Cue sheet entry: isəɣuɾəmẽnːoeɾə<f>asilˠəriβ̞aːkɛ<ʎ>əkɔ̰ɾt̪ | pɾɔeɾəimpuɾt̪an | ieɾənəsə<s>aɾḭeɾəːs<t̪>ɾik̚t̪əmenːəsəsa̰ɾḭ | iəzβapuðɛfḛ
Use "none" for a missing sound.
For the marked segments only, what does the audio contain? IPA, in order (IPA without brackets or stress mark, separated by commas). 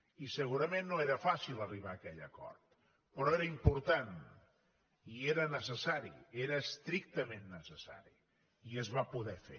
f, ʎ, s, t̪